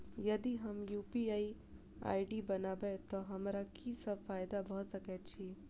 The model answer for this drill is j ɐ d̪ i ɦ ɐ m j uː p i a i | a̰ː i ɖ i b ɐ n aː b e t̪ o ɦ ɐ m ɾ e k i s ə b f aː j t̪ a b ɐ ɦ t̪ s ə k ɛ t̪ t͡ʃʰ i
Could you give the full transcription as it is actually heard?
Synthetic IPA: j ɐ d̪ i ɦ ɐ m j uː p i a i | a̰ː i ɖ i b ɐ n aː b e t̪ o ɦ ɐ m ɾ a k i s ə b f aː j d̪ a b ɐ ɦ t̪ s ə k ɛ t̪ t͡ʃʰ i